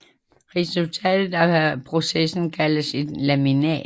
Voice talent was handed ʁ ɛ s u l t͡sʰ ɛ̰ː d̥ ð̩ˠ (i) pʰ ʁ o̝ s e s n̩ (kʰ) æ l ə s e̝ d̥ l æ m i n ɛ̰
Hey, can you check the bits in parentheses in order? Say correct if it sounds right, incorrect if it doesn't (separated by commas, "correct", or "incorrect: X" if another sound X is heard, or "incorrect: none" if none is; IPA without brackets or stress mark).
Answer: incorrect: æ, correct